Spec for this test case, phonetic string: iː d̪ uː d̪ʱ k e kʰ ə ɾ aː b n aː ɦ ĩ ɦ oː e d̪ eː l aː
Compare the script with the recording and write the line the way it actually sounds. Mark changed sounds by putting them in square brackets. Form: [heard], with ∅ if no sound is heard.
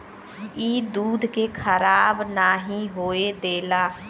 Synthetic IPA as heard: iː d̪ uː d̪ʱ k e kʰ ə ɾ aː b n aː ɦ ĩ ɦ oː e d̪ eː l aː